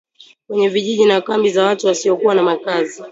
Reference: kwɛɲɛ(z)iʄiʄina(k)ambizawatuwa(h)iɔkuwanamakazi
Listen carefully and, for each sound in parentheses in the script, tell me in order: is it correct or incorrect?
incorrect, correct, incorrect

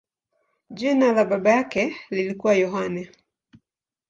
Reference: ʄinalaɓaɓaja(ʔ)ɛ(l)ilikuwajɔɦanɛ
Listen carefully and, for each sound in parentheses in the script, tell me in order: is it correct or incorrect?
incorrect, correct

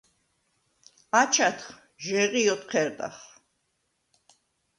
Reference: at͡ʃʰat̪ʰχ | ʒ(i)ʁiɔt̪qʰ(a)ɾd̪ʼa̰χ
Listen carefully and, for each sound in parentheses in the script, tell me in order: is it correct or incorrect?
incorrect, incorrect

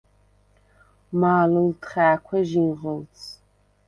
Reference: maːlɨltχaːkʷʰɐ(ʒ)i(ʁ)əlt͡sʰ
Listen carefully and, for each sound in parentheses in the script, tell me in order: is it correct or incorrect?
correct, correct

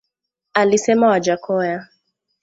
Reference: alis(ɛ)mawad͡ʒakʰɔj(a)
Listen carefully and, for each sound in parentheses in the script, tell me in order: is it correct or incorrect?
correct, correct

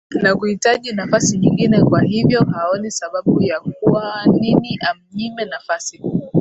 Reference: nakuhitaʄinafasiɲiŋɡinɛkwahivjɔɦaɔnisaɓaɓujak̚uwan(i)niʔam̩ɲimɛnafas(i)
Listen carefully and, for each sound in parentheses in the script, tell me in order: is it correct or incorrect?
correct, correct

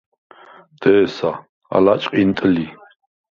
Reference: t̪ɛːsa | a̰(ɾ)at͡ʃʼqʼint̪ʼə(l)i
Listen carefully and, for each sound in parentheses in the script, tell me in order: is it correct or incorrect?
incorrect, correct

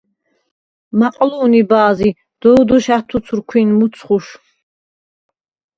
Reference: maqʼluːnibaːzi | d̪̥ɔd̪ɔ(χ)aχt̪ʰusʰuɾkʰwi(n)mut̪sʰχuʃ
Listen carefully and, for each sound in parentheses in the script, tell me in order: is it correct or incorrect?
incorrect, correct

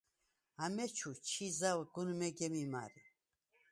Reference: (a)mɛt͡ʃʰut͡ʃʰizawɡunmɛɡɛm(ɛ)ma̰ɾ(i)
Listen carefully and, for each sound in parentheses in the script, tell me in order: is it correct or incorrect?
correct, incorrect, correct

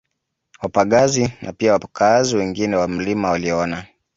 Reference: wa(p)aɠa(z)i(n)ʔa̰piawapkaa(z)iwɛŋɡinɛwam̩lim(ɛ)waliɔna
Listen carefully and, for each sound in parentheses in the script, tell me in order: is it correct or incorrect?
correct, correct, correct, correct, incorrect

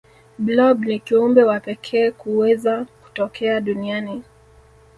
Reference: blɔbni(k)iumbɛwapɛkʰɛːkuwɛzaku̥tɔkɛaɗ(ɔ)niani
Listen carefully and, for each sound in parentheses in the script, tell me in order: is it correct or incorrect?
correct, incorrect

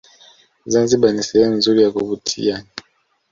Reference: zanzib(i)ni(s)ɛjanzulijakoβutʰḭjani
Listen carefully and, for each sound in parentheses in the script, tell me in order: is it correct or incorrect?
incorrect, correct

